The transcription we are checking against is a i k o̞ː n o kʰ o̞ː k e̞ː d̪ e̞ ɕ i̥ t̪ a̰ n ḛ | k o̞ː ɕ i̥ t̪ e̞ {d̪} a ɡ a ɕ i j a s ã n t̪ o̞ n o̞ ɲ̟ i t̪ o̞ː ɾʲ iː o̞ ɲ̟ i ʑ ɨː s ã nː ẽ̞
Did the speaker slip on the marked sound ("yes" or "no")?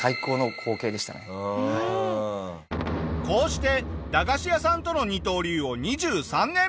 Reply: no